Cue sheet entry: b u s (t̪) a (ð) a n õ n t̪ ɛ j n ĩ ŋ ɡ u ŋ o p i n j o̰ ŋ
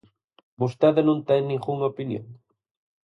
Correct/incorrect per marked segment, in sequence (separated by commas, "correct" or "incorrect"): correct, correct